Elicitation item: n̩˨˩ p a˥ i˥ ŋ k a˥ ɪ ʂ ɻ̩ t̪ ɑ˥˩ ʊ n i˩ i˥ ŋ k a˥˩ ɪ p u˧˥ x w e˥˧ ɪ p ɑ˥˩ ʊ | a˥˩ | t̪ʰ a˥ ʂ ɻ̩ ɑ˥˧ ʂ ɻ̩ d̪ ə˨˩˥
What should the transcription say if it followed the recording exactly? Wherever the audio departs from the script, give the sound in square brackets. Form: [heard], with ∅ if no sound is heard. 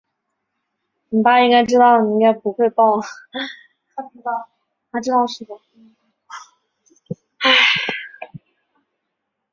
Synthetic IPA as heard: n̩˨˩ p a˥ i˥ ŋ k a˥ ɪ [ʈ͡ʂ] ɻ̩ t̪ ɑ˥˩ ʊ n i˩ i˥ ŋ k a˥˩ ɪ p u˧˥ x w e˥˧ ɪ p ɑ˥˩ ʊ | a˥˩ | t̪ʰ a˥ [ʈ͡ʂ] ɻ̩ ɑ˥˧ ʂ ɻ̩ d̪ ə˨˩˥